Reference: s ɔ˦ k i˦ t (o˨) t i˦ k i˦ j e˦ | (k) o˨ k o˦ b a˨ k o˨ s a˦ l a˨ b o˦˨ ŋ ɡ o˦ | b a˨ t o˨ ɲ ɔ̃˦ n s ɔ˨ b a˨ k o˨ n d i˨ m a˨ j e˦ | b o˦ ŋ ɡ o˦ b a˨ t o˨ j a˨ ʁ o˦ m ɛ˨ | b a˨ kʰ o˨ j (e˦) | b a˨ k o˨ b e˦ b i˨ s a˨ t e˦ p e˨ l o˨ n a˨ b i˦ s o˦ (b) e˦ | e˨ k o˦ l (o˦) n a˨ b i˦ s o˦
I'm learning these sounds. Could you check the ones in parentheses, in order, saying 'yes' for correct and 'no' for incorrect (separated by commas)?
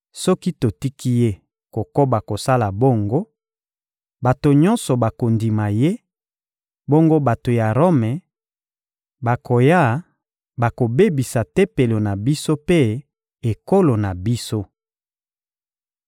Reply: yes, yes, no, no, no